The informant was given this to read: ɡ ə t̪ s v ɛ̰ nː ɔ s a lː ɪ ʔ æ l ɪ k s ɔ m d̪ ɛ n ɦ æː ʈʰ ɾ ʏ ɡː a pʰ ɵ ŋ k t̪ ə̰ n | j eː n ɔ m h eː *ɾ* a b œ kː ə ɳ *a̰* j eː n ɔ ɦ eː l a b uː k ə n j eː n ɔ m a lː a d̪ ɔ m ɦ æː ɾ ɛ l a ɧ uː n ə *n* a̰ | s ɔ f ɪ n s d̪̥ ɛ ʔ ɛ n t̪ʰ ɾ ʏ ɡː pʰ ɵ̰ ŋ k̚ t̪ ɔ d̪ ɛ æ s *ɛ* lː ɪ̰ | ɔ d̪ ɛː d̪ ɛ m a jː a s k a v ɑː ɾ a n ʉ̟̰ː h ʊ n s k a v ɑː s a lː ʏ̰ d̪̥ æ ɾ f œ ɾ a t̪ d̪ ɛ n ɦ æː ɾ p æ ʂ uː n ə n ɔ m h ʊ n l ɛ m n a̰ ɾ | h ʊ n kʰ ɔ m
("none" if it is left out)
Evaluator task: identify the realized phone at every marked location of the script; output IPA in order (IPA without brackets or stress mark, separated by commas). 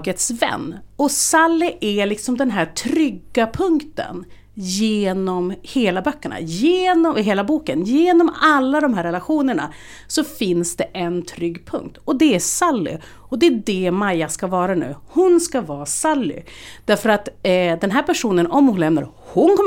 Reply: l, a̰, ɳ, a